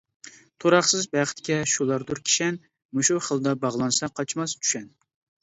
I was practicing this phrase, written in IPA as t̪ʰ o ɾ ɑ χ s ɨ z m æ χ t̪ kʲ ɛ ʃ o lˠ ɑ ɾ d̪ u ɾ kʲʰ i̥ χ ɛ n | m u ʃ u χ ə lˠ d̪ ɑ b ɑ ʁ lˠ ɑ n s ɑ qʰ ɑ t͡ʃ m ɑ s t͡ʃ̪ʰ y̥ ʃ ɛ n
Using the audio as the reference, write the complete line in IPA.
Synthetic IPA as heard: t̪ʰ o ɾ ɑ χ s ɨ z b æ χ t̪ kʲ ɛ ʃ u lˠ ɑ ɾ d̪ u ɾ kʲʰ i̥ ʃ ɛ n | m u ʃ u χ ə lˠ d̪ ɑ b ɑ ʁ lˠ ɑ n s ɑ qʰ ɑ t͡ʃ m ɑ s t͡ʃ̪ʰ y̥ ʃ ɛ n